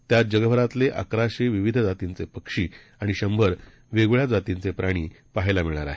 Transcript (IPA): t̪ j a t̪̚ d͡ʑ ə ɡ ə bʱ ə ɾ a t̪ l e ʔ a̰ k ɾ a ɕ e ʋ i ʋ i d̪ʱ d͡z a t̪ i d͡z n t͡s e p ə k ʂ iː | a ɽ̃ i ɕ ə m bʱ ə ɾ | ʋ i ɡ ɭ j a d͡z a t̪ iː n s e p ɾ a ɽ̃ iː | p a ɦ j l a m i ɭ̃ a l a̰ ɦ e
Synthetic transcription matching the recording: t̪ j a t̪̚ d͡ʑ ə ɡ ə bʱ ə ɾ a t̪ l e ʔ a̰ k ɾ a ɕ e ʋ i ʋ i d̪ʱ d͡z a t̪ i n t͡s e p ə k ʂ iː | a ɽ̃ i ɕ ə m bʱ ə ɾ | ʋ e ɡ ɭ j a d͡z a t̪ i n t͡s e p ɾ a ɽ̃ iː | p a ɦ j l a m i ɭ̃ a ɾ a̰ ɦ e

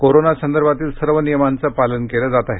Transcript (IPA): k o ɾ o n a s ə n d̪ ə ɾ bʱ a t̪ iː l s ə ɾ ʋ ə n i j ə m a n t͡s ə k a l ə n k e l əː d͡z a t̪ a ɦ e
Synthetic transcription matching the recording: k o ɾ o n a s ə n d̪ ə ɾ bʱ a t̪ iː l s ə ɾ ʋ ə n i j ə m a n t͡s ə p a l ə n k e l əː d͡z a t̪ a ɦ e

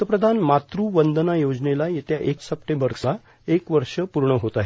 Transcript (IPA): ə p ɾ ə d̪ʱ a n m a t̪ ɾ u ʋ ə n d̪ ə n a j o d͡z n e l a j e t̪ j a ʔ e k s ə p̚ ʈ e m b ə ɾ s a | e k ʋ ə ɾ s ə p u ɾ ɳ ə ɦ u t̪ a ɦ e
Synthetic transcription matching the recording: ə p ɾ ə d̪ʱ a n m a t̪ ɾ u ʋ ə n d̪ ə n a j o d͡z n e l a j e t̪ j a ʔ e k s ə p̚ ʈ e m b ə ɾ s a | e k ʋ ə ɾ ʂ ə p u ɾ ɳ ə ɦ o t̪ a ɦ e

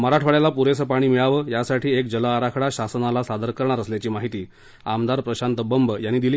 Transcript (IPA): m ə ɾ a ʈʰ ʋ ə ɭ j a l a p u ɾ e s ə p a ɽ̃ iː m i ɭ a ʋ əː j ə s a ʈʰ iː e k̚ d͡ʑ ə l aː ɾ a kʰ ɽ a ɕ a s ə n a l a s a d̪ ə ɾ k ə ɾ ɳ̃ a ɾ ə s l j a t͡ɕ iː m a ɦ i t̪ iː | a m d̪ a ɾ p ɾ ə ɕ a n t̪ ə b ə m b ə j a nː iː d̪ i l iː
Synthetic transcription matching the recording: m ə ɾ a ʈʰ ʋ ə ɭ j a l a p u ɾ e s ə p a ɽ̃ iː m i ɭ a ʋ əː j a s a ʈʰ iː e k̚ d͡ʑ ə l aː ɾ a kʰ ɽ a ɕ a s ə n a l a s a d̪ ə ɾ k ə ɾ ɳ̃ a ɾ ə s l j a t͡ɕ iː m a ɦ i t̪ iː | a m d̪ a ɾ p ɾ ə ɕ a n t̪ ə b ə m b ə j a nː iː d̪ i l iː

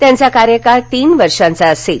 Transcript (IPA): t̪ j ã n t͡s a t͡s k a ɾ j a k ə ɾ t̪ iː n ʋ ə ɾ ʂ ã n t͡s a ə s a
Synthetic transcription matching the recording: t̪ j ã n t͡s a k a ɾ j ə k a ɾ t̪ iː n ʋ ə ɾ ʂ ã n t͡s a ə s e

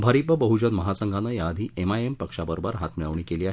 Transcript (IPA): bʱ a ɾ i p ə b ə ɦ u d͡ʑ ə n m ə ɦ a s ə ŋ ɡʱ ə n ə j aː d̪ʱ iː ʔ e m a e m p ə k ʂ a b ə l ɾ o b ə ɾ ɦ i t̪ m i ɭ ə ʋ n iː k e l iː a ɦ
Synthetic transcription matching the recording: bʱ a ɾ i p ə b ə ɦ u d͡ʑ ə n m ə ɦ a s ə ŋ ɡʱ a n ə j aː d̪ʱ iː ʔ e m a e m p ə k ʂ a b ə ɾ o b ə ɾ ɦ a t̪ m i ɭ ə ʋ ɳ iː k e l iː a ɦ

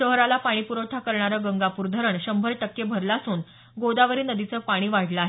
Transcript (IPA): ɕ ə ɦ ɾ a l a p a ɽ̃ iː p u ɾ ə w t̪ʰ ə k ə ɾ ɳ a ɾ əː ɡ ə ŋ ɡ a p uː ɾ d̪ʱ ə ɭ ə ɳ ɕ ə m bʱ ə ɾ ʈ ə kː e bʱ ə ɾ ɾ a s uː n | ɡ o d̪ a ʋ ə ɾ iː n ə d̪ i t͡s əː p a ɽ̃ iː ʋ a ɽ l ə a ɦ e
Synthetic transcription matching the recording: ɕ ə ɦ ɾ a l a p a ɽ̃ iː p u ɾ ə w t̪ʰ a k ə ɾ ɳ a ɾ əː ɡ ə ŋ ɡ a p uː ɾ d̪ʱ ə ɾ ə ɳ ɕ ə m bʱ ə ɾ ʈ ə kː e bʱ ə ɾ l a s uː n | ɡ o d̪ a ʋ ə ɾ iː n ə d̪ i t͡s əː p a ɽ̃ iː ʋ a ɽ l ə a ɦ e

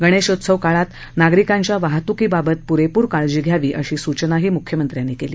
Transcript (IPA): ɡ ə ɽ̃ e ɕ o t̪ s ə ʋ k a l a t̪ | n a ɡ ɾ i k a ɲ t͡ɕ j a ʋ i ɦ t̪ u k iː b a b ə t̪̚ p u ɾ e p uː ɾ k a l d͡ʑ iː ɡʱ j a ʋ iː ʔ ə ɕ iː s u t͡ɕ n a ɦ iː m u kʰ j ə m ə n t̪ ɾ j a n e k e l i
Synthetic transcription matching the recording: ɡ ə ɽ̃ e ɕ o t̪ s ə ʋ k a ɭ a t̪ | n a ɡ ɾ i k a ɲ t͡ɕ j a ʋ a ɦ t̪ u k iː b a b ə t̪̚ p u ɾ e p uː ɾ k a ɭ d͡ʑ iː ɡʱ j a ʋ iː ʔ ə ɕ iː s u t͡ɕ n a ɦ iː m u kʰ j ə m ə n t̪ ɾ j a n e k e l iː

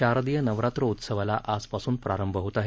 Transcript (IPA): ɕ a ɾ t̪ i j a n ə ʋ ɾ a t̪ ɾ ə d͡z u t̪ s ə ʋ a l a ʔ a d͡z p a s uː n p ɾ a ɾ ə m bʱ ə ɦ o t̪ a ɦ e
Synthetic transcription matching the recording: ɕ a ɾ d̪ i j ə n ə ʋ ɾ a t̪ ɾ ə u t̪ s ə ʋ a l a ʔ a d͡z p a s uː n p ɾ a ɾ ə m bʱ ə ɦ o t̪ a ɦ e

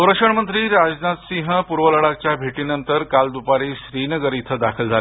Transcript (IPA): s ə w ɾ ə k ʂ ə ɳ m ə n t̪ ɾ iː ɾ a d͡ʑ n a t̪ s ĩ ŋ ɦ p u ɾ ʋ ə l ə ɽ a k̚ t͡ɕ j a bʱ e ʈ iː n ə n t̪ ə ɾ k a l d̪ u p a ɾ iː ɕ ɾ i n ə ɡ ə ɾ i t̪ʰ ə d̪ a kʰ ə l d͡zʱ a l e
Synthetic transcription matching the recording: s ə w ɾ ə k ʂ ə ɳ m ə n t̪ ɾ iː ɾ a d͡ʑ n a t̪ s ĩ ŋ ɦ p u ɾ ʋ ə l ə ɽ a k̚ t͡ɕ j a bʱ e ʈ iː n ə n t̪ ə ɾ k a l d̪ u p a ɾ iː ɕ ɾ i n ə ɡ ə ɾ i t̪ʰ ə d̪ a kʰ ə l d͡zʱ a l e

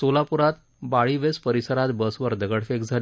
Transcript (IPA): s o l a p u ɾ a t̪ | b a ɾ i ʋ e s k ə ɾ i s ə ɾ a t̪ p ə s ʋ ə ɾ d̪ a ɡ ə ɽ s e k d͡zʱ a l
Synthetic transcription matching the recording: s o l a p u ɾ a t̪ | b a ɭ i ʋ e s p ə ɾ i s ə ɾ a t̪ b ə s ʋ ə ɾ d̪ ə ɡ ə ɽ f e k d͡zʱ a l

